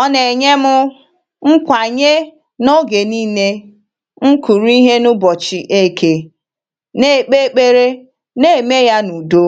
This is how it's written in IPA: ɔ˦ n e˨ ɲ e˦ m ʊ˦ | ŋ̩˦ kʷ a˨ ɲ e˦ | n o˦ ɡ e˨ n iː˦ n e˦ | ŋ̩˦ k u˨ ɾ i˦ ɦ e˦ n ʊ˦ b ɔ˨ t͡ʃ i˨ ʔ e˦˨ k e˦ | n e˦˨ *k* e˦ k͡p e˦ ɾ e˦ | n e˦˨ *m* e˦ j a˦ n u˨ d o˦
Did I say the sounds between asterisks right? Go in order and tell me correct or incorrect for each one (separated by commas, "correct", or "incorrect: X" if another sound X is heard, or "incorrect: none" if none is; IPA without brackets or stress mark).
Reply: incorrect: k͡p, correct